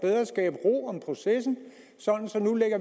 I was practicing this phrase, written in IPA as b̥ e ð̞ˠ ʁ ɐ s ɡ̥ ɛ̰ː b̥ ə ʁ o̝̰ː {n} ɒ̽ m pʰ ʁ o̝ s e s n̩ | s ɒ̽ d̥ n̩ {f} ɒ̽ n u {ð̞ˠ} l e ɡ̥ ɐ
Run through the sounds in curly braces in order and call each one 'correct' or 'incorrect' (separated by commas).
incorrect, incorrect, incorrect